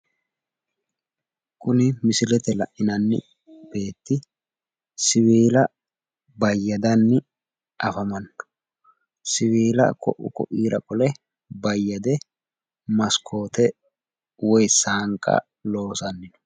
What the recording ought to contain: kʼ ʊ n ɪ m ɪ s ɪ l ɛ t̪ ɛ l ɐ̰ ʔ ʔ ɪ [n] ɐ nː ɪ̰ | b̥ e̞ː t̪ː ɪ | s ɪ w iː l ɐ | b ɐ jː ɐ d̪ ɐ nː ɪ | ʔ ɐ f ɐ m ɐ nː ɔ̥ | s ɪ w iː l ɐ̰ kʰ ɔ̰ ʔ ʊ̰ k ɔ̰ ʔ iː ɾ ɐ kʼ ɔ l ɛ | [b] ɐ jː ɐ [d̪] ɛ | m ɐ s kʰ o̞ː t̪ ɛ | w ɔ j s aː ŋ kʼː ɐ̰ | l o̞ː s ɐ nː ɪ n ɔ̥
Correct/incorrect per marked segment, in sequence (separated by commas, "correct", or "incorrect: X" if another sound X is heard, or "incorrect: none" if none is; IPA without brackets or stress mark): correct, correct, correct